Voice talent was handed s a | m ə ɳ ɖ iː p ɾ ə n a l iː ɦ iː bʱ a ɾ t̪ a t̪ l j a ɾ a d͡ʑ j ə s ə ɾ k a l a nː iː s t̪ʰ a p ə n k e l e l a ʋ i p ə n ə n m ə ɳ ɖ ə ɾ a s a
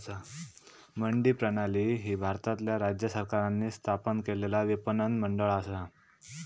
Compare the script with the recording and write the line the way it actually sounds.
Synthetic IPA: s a | m ə ɳ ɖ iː p ɾ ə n a l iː ɦ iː bʱ a ɾ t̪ a t̪ l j a ɾ a d͡ʑ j ə s ə ɾ k a ɾ a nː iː s t̪ʰ a p ə n k e l e l a ʋ i p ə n ə n m ə ɳ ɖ ə ɭ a s a